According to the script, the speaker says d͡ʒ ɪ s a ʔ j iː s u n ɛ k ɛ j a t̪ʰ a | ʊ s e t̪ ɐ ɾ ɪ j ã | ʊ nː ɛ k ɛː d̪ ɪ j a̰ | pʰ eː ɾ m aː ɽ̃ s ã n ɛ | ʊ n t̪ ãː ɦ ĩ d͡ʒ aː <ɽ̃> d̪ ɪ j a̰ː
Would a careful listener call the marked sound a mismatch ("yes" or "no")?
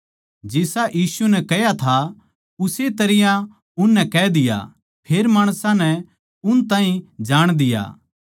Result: no